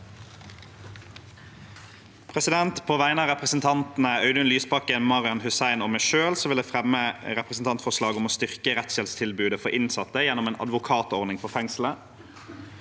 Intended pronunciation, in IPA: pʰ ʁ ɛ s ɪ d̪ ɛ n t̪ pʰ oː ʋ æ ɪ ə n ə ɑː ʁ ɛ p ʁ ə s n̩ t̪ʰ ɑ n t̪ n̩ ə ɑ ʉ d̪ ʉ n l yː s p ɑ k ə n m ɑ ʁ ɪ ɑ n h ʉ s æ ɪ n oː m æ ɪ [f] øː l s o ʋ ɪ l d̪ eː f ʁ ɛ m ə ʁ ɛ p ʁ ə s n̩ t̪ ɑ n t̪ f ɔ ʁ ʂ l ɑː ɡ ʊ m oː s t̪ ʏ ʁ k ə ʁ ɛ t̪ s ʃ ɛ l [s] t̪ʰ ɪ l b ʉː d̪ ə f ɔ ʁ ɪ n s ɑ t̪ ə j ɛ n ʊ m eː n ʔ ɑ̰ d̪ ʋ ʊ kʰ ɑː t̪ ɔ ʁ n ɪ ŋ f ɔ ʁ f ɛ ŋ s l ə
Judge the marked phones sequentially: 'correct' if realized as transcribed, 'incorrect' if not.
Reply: incorrect: ʃ, correct

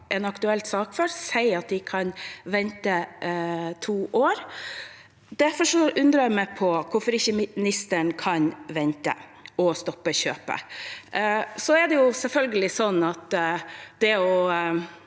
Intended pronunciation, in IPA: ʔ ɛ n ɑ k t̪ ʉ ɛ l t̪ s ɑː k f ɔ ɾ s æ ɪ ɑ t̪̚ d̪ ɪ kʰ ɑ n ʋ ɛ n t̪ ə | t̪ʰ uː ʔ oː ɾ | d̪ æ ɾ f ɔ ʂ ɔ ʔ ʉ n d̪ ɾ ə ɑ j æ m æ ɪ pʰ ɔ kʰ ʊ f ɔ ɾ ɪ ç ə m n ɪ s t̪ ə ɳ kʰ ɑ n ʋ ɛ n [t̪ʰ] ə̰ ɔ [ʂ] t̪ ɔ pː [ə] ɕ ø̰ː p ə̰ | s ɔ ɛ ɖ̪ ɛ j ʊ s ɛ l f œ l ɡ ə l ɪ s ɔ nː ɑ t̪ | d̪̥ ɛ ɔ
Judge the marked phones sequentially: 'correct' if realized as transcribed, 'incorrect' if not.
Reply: incorrect: t̪, incorrect: s, correct

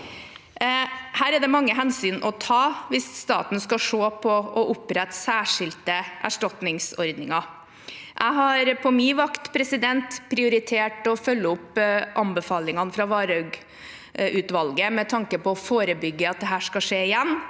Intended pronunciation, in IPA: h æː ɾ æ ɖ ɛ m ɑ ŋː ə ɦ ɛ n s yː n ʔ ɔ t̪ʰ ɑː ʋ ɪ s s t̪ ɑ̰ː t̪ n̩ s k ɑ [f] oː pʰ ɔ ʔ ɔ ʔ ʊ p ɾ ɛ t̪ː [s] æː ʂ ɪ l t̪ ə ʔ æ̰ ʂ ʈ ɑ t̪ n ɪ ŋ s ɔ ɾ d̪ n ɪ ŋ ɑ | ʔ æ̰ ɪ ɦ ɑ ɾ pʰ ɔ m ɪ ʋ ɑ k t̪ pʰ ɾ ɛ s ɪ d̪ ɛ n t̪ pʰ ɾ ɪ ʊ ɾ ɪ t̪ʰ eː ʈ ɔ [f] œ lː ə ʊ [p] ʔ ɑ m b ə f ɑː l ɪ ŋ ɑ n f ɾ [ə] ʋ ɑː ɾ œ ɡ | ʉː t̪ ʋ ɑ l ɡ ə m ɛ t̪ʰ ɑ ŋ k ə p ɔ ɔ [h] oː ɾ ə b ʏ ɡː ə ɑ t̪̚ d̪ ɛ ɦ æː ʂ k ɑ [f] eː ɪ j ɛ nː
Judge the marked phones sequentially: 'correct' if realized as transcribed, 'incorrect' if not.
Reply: incorrect: ʂ, correct, correct, correct, incorrect: ɑ, incorrect: f, incorrect: ʂ

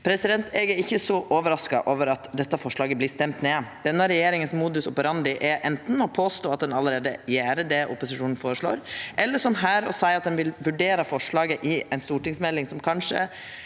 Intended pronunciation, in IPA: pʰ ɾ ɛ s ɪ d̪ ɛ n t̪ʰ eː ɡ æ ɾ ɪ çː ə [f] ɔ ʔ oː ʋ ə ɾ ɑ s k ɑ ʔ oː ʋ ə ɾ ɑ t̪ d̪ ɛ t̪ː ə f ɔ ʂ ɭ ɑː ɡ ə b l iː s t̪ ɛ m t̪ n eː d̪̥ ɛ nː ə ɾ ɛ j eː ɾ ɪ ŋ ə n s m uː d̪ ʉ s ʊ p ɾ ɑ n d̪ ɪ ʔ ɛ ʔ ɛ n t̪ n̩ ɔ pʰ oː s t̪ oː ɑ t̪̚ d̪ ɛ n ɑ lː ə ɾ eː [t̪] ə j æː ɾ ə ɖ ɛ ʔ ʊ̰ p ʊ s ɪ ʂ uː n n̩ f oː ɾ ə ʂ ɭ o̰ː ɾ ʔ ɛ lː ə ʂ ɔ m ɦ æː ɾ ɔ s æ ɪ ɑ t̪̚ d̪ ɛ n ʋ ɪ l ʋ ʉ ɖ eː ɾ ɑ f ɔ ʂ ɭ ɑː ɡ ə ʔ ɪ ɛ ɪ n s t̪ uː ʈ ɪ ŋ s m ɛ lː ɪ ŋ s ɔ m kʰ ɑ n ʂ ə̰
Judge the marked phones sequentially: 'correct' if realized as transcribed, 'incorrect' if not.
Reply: incorrect: s, incorrect: d̪

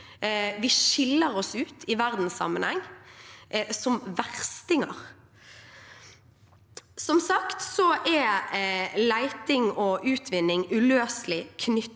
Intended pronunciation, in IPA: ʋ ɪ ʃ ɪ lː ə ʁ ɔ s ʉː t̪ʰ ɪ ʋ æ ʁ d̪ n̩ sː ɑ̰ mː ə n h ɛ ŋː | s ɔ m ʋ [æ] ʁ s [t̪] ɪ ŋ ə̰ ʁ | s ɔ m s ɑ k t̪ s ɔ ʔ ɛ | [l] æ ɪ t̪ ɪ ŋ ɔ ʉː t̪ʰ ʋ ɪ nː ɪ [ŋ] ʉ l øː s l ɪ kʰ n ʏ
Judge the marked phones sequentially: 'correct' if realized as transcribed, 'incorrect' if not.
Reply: correct, correct, correct, correct

